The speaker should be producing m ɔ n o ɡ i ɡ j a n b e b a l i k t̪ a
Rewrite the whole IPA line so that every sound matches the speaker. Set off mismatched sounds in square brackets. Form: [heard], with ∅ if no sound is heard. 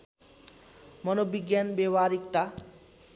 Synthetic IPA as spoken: m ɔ n o [b] i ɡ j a n b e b a [ɾ] i k t̪ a